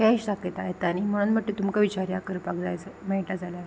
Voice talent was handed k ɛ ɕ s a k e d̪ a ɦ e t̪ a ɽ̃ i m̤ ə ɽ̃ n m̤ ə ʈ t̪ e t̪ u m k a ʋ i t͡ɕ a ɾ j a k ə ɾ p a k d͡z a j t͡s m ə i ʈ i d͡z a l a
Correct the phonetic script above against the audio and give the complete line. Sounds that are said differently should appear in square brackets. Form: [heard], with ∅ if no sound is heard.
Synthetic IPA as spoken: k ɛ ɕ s a k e [t̪] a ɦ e t̪ a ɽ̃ i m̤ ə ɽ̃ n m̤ ə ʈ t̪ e t̪ u m k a ʋ i t͡ɕ a ɾ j a k ə ɾ p a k d͡z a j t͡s m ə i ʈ [a] d͡z a l a